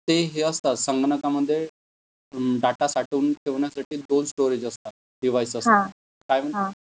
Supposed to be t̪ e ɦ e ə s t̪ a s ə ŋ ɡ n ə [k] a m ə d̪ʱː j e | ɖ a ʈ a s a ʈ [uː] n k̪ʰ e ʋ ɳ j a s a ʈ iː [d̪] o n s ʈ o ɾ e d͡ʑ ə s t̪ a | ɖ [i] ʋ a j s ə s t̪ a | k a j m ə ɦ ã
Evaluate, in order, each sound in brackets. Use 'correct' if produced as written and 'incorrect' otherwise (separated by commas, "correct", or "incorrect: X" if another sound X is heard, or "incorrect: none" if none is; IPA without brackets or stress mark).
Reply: correct, correct, correct, correct